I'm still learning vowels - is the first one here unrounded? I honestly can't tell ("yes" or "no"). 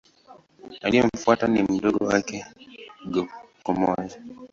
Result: yes